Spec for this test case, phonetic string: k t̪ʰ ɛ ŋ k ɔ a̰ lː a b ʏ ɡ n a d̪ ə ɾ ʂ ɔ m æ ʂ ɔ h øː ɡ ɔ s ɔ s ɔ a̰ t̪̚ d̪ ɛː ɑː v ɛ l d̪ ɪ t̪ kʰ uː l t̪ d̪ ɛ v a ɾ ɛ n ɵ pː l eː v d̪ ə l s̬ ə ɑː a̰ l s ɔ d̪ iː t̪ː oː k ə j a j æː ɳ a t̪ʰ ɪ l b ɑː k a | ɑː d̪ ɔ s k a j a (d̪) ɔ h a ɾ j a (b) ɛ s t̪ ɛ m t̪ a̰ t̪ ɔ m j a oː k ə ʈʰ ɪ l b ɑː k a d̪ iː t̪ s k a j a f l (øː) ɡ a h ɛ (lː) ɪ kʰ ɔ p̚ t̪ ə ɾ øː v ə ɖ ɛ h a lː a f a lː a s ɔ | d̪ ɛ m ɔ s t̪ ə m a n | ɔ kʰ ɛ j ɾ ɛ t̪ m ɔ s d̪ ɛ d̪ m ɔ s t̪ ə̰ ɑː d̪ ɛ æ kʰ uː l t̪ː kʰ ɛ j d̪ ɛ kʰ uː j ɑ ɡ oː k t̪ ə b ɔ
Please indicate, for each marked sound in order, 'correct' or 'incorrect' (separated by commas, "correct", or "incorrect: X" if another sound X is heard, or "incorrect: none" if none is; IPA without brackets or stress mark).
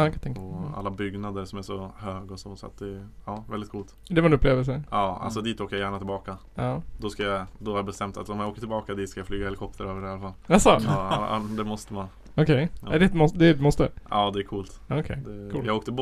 correct, correct, incorrect: yː, incorrect: l